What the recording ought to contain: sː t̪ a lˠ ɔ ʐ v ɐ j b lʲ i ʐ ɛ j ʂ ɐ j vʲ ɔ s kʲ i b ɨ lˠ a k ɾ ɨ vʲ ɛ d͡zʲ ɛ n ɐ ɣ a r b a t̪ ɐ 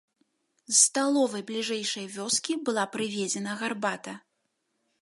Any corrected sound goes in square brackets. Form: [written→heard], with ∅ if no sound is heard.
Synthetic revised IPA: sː t̪ a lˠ ɔ [ʐ→∅] v ɐ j b lʲ i ʐ ɛ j ʂ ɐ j vʲ ɔ s kʲ i b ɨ lˠ a [k→p] ɾ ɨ vʲ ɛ d͡zʲ ɛ n ɐ ɣ a r b a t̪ ɐ